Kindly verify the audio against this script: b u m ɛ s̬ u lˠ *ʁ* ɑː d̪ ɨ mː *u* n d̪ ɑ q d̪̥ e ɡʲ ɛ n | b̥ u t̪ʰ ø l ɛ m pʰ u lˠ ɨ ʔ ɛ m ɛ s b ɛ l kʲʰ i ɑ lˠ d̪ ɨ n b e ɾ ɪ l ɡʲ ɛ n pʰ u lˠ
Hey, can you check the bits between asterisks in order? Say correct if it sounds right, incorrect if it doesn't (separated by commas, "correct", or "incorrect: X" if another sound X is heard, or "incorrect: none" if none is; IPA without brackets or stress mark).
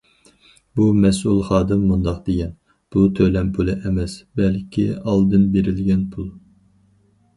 incorrect: χ, correct